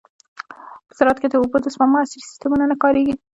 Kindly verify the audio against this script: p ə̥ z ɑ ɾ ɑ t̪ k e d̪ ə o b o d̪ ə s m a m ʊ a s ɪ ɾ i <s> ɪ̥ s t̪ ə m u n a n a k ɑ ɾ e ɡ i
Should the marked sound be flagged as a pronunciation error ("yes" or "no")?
no